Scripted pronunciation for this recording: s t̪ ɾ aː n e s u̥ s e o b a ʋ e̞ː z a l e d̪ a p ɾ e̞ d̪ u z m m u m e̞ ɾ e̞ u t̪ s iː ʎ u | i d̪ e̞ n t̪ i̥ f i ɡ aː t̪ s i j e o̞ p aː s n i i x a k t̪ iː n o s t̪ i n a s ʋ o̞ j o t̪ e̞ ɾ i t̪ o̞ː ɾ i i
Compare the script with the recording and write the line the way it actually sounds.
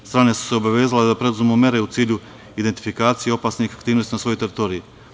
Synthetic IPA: s t̪ ɾ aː n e s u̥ s e o b a ʋ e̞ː z a l e d̪ a p ɾ e̞ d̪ u z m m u m e̞ ɾ e̞ u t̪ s iː ʎ u | i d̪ e̞ n t̪ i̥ f i k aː t̪ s i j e o̞ p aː s n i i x a k t̪ iː n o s t̪ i n a s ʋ o̞ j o t̪ e̞ ɾ i t̪ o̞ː ɾ i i

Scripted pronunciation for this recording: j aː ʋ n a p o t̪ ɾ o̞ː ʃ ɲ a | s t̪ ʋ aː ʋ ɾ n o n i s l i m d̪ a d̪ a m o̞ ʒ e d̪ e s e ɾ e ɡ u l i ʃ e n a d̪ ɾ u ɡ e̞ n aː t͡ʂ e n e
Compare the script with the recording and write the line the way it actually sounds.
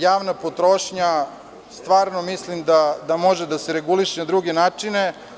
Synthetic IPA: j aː ʋ n a p o t̪ ɾ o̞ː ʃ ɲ a | s t̪ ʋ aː ɾ n o m i s l i m d̪ a d̪ a m o̞ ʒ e d̪ a s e ɾ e ɡ u l i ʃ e n a d̪ ɾ u ɡ e̞ n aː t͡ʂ i n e

